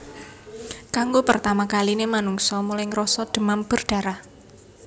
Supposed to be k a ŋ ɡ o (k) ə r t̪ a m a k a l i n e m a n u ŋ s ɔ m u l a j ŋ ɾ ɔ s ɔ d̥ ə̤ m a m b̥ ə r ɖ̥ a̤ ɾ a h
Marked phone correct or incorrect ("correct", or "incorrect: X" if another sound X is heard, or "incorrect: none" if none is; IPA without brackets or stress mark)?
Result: incorrect: p